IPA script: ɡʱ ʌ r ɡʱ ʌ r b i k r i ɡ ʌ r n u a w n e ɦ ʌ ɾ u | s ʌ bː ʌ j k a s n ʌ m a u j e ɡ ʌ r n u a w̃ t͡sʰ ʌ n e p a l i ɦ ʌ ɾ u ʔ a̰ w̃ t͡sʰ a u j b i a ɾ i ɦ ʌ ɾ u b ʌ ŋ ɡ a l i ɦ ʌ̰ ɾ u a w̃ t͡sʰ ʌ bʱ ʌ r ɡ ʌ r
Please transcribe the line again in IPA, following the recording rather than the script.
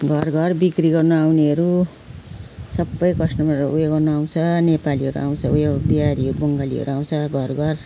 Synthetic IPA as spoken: ɡʱ ʌ r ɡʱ ʌ r b i k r i ɡ ʌ r n u a w n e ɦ ʌ ɾ u | s ʌ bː ʌ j k ʌ s n ʌ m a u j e ɡ ʌ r n u a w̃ t͡sʰ ʌ n e p a l i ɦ ʌ ɾ u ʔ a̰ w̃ t͡sʰ ʌ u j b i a ɾ i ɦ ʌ ɾ u b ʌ ŋ ɡ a l i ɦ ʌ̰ ɾ u a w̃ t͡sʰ ʌ ɡʱ ʌ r ɡ ʌ r